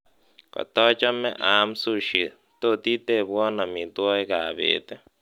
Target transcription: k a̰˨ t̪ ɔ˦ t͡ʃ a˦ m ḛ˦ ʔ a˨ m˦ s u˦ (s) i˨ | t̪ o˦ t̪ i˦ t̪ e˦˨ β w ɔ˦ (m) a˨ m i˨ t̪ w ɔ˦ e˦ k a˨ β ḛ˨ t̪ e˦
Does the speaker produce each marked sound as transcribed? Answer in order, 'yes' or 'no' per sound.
no, no

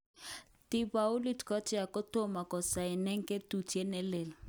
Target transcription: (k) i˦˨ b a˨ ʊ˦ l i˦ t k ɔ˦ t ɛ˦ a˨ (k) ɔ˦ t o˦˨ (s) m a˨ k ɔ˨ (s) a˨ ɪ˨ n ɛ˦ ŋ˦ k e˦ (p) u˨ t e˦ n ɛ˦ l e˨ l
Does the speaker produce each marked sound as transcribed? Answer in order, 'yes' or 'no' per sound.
no, yes, no, yes, no

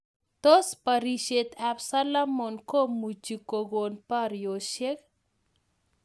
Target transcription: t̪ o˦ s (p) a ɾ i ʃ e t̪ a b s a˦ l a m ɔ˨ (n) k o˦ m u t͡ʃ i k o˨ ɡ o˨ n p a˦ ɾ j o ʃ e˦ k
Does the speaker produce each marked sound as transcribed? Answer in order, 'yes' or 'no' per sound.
yes, yes

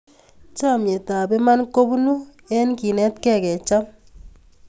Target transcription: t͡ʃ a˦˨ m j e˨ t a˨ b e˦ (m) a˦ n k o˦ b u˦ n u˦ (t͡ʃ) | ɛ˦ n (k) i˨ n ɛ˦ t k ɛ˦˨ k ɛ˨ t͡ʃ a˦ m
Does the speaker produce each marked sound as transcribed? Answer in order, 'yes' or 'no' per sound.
yes, no, yes

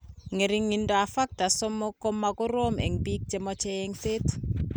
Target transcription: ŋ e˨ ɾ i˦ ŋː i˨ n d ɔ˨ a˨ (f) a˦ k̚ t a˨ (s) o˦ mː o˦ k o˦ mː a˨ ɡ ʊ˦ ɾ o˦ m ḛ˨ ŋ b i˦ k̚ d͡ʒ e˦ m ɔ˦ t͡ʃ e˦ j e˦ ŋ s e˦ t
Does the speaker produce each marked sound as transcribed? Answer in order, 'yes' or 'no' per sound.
yes, yes

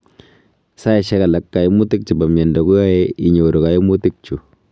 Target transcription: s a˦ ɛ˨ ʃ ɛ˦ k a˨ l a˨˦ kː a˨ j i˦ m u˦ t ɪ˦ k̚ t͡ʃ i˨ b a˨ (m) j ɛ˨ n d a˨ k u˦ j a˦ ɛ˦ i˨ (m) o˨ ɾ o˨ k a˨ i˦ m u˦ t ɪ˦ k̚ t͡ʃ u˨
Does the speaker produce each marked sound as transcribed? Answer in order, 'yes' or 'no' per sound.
yes, no

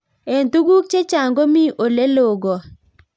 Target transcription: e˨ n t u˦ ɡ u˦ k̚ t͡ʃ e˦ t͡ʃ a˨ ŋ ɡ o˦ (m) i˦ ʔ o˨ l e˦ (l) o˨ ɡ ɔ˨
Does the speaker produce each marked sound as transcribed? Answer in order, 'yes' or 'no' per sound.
yes, yes

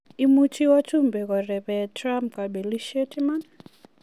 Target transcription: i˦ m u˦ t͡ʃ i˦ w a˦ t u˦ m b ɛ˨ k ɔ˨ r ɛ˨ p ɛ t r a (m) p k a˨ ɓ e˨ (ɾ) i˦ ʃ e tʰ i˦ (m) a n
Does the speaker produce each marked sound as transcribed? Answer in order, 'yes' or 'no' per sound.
yes, no, yes

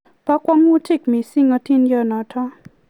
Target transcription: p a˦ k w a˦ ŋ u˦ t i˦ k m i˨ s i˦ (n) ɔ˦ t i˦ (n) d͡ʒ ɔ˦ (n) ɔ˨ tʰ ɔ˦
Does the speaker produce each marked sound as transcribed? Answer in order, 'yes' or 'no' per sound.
no, yes, yes

